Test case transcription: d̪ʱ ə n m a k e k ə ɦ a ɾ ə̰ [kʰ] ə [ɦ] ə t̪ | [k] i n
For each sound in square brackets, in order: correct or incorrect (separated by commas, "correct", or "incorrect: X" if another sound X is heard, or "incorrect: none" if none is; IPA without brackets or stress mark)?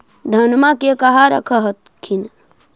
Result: correct, correct, incorrect: kʰ